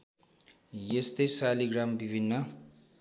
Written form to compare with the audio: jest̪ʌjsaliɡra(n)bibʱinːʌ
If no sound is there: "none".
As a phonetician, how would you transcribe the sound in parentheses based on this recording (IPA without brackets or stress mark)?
m